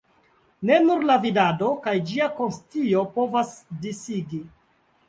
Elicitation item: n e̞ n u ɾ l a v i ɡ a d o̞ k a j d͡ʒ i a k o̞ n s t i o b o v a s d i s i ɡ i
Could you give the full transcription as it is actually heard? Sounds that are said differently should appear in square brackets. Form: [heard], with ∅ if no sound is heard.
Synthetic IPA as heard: n e̞ n u ɾ l a v i [d] a d o̞ k a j d͡ʒ i a k o̞ n s t i o [p] o v a s d i s i ɡ i